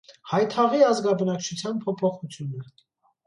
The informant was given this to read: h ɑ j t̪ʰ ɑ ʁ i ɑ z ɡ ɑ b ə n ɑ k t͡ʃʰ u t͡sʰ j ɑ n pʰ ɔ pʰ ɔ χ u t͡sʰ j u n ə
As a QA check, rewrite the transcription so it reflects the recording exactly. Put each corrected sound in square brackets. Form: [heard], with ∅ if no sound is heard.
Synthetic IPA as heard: h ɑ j t̪ʰ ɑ ʁ i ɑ z ɡ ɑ b ə n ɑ k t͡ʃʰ u t͡sʰ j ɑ n pʰ ɔ pʰ ɔ χ u t͡sʰ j u n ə